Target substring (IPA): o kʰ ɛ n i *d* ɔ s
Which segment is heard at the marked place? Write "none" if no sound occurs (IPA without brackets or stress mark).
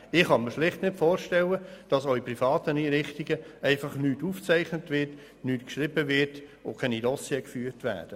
d